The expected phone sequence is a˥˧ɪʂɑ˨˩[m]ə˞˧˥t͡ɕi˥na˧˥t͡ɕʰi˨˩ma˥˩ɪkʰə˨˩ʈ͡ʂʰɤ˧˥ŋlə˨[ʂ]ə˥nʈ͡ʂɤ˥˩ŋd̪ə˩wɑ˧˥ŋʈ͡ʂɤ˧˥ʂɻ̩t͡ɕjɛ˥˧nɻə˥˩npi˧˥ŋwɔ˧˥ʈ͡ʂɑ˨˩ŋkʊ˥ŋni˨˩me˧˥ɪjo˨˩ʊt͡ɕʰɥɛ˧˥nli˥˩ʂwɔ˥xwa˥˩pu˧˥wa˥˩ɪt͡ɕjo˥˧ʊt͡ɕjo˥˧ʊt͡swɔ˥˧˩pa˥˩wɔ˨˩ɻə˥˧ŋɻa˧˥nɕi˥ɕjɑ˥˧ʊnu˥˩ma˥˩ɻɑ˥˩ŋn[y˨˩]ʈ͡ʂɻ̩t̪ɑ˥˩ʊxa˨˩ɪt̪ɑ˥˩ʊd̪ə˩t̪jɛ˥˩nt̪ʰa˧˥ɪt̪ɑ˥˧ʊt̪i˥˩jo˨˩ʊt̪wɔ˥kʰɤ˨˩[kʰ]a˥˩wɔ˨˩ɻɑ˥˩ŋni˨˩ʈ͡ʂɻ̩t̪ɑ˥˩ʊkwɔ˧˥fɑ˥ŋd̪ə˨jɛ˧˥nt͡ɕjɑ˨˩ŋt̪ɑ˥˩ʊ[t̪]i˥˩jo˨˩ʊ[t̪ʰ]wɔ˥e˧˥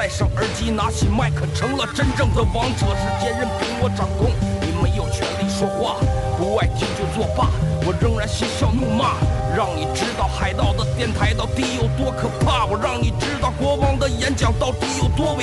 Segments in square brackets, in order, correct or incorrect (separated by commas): incorrect, incorrect, incorrect, incorrect, correct, incorrect